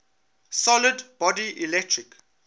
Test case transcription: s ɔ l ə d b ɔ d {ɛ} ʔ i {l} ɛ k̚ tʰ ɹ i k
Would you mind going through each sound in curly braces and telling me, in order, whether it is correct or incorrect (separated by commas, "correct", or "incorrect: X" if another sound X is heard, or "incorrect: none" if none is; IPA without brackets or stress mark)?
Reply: incorrect: i, correct